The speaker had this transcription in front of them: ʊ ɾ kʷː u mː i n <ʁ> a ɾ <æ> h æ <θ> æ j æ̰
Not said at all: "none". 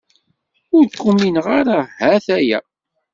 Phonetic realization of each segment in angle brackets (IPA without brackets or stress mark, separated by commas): ʁ, a, θ